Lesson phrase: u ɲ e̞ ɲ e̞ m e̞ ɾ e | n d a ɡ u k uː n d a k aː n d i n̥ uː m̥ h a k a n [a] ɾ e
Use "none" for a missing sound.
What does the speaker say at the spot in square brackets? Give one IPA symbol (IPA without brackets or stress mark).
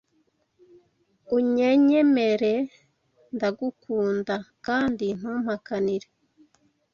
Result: i